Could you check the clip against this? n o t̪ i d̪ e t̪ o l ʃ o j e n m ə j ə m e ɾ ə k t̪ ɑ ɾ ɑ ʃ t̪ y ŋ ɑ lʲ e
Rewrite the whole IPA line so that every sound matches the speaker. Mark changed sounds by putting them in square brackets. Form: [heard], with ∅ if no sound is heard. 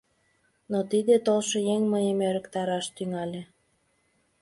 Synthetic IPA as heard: n o t̪ i d̪ e t̪ o l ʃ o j e [ŋ] m ə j ə m e ɾ ə k t̪ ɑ ɾ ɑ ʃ t̪ y ŋ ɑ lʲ e